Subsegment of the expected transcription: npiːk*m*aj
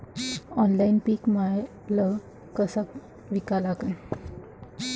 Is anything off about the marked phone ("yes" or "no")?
no